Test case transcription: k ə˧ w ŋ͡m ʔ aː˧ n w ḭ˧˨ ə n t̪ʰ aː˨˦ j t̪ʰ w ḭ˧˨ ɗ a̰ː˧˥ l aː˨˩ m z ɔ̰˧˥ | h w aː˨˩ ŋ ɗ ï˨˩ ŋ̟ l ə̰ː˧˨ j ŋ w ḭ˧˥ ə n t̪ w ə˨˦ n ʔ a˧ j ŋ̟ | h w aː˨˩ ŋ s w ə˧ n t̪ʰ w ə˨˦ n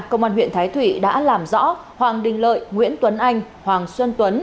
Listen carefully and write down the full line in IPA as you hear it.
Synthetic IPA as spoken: k ə˧ w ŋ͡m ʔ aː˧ n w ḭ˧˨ ə n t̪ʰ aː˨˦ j t̪ʰ w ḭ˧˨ ɗ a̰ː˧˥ l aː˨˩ m z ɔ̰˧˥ | h w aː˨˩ ŋ ɗ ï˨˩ ŋ̟ l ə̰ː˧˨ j ŋ w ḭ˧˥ ə n t̪ w ə˨˦ n ʔ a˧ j ŋ̟ | h w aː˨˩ ŋ s w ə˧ n t̪ w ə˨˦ n

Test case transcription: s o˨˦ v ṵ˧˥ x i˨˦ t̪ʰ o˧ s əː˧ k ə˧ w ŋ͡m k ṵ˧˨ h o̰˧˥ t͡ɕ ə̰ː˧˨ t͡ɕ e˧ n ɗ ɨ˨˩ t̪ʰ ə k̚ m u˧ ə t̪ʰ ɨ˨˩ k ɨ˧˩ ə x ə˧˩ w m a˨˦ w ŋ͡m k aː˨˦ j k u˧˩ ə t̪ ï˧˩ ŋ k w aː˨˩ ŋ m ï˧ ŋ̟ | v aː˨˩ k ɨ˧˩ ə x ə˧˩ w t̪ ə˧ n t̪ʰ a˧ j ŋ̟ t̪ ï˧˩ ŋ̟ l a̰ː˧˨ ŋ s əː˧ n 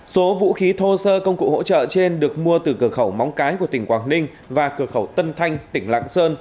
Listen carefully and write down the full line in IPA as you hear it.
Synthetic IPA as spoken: s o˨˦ v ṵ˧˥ x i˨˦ t̪ʰ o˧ s əː˧ k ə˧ w ŋ͡m k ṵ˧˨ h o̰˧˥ t͡ɕ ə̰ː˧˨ t͡ɕ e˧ n ɗ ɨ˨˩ ə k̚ m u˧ ə t̪ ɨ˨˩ k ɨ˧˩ ə x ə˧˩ w m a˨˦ w ŋ͡m k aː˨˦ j k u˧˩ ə t̪ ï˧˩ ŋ k w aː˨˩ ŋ n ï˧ ŋ̟ | v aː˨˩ k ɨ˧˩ ə x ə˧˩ w t̪ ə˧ n t̪ʰ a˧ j ŋ̟ t̪ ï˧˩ ŋ̟ l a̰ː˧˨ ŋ s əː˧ n

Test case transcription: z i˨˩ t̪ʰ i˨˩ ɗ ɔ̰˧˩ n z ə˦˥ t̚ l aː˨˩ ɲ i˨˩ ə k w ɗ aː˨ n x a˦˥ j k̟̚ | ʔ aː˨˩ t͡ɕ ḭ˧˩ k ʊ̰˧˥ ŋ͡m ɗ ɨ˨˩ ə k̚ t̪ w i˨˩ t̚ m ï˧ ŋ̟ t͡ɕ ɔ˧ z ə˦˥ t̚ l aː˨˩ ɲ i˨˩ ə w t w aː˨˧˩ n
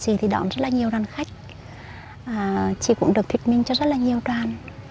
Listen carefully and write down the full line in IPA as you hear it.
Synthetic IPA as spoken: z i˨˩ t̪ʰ i˨˩ ɗ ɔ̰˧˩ n z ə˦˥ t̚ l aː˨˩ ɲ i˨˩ ə w ɗ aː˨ n x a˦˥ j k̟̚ | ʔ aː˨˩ t͡ɕ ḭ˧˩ k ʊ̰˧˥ ŋ͡m ɗ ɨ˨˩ ə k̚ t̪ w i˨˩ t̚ m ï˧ ŋ̟ t͡ɕ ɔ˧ z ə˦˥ t̚ l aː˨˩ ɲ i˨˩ ə w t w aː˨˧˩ n

